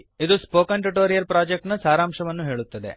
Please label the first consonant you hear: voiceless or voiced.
voiced